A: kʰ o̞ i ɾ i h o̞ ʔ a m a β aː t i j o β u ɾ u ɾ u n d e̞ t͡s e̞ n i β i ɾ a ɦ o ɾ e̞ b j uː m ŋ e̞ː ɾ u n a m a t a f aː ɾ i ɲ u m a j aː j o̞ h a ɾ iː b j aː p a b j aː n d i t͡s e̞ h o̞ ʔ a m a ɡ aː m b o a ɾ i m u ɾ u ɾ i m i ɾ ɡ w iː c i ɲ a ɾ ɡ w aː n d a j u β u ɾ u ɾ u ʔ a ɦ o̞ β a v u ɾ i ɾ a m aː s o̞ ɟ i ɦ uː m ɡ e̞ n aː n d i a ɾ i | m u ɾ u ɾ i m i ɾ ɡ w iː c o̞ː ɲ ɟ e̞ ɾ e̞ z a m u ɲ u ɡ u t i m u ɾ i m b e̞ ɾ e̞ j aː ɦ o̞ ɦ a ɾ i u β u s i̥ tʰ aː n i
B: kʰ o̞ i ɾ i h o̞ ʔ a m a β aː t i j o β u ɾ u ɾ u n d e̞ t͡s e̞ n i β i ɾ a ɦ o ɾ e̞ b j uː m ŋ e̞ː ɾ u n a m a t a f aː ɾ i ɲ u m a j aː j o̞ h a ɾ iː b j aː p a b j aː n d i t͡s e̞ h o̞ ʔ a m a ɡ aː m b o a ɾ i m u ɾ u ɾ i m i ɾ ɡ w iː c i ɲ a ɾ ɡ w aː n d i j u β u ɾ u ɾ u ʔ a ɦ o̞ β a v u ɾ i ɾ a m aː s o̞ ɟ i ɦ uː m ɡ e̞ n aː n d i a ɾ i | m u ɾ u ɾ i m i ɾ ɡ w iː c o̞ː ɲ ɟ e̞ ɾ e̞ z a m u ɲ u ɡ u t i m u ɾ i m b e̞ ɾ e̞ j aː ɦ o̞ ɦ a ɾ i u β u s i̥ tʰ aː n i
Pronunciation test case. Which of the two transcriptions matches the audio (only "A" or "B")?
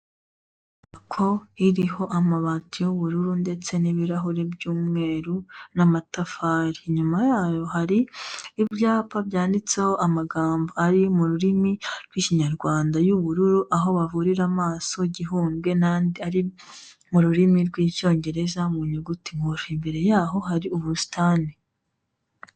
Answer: A